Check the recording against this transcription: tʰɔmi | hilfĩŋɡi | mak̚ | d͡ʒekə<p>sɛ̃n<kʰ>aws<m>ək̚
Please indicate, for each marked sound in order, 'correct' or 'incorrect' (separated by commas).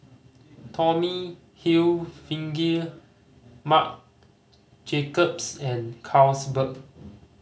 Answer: correct, correct, incorrect